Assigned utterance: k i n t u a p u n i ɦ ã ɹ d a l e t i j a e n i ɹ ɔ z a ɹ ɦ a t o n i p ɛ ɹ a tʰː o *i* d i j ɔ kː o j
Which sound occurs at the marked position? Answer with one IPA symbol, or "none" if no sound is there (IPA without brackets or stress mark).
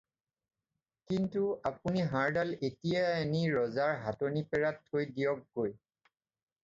j